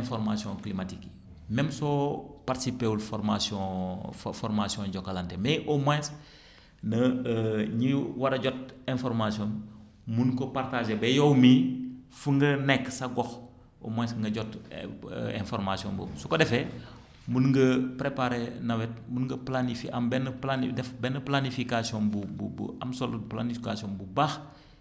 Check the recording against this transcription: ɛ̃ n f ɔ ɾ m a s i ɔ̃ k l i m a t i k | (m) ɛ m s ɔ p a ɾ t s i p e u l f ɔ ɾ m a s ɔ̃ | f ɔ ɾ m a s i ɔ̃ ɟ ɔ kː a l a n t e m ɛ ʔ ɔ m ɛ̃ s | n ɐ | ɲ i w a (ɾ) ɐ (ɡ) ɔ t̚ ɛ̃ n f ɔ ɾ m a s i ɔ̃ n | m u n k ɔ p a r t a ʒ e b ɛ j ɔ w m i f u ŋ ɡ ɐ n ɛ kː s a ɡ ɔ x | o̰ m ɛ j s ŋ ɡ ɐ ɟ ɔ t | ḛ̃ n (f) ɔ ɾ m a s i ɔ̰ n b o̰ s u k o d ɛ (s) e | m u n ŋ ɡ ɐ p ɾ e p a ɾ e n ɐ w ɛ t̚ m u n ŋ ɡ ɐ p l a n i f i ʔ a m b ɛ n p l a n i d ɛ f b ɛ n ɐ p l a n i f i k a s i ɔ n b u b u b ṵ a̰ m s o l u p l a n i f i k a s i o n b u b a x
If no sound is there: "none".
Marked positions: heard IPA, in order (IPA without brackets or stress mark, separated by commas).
m, ɾ, ɟ, f, f